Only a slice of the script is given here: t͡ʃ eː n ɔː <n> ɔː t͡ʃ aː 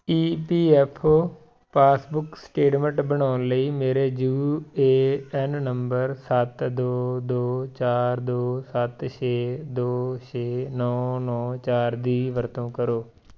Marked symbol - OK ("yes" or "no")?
yes